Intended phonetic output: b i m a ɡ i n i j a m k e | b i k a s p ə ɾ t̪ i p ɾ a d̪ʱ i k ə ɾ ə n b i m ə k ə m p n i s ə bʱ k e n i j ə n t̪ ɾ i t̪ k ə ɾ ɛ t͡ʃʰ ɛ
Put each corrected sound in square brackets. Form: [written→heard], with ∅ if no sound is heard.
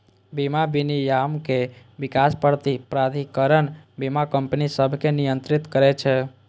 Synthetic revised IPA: b i m a [ɡ→b] i n i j a m k e | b i k a s p ə ɾ t̪ i p ɾ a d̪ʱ i k ə ɾ ə n b i m [ə→a] k ə m p n i s ə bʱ k e n i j ə n t̪ ɾ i t̪ k ə ɾ ɛ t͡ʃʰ ɛ